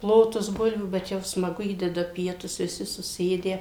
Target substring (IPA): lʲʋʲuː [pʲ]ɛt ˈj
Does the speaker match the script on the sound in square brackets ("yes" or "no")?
no